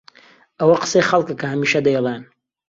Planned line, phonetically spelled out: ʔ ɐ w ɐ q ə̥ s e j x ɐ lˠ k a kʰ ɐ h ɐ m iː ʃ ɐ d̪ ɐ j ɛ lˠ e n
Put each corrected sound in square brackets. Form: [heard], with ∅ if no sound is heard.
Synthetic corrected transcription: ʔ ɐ w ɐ q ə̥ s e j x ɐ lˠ k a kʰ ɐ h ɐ m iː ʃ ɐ d̪ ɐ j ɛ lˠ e n